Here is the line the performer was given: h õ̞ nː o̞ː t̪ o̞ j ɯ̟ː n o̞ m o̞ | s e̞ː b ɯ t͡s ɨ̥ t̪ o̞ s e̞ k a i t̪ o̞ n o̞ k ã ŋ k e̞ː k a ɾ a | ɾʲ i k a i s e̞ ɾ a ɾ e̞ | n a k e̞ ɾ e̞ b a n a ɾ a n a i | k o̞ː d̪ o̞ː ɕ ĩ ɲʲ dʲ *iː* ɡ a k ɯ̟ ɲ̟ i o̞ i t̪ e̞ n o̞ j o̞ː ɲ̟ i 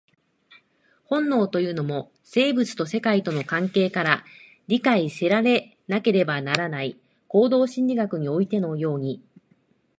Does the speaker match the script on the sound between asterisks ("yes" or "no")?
no